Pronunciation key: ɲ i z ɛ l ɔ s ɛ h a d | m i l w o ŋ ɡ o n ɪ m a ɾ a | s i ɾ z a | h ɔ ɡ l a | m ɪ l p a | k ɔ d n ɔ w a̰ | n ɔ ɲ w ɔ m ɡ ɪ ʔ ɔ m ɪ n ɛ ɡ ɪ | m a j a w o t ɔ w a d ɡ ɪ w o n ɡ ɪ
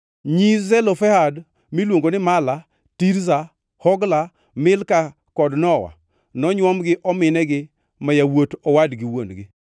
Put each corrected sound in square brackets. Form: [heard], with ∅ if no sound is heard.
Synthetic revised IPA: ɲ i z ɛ l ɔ [f] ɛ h a d | m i l w o ŋ ɡ o n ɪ m a [l] a | [t] i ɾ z a | h ɔ ɡ l a | m ɪ l [k] a | k ɔ d n ɔ w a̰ | n ɔ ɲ w ɔ m ɡ ɪ ʔ ɔ m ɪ n ɛ ɡ ɪ | m a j a w o t ɔ w a d ɡ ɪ w o n ɡ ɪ